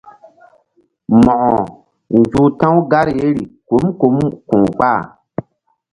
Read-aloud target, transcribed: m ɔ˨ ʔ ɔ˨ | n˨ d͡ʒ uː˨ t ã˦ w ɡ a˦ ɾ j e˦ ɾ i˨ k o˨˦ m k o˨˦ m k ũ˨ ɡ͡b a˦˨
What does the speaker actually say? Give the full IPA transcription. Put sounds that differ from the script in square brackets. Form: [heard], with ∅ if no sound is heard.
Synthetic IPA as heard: m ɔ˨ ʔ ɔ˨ | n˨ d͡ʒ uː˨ t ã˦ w ɡ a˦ ɾ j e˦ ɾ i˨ k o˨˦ m k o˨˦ m k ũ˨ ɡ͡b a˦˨